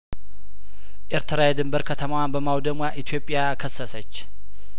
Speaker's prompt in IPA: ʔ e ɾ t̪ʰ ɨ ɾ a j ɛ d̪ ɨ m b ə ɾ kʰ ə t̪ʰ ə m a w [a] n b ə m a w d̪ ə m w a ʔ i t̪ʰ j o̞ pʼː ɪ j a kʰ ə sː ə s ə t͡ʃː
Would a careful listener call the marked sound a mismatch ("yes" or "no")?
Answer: no